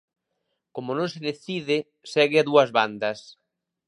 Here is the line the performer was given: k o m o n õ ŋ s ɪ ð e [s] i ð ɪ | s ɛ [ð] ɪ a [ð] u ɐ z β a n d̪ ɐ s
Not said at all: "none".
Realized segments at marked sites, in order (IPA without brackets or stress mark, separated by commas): θ, ɣ, ð